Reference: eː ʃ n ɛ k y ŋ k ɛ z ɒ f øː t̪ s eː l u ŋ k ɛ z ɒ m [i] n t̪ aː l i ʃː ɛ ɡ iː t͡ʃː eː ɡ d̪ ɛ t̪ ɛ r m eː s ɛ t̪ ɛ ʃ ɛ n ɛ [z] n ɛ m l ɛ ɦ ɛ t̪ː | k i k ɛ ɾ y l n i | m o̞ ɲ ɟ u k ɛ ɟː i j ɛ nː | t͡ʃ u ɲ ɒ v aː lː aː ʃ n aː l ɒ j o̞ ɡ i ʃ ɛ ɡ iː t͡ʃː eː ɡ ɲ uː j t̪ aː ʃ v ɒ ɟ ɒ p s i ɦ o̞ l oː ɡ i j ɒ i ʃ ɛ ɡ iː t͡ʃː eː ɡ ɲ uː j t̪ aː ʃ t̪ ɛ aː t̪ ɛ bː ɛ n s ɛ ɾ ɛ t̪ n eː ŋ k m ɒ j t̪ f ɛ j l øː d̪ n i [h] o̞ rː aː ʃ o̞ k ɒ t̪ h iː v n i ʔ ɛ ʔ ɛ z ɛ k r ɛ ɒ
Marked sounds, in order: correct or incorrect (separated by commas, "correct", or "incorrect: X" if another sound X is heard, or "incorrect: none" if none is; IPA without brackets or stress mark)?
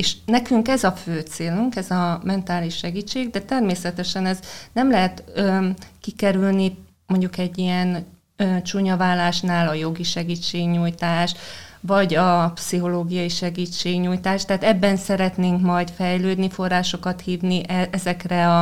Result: incorrect: ɛ, correct, incorrect: f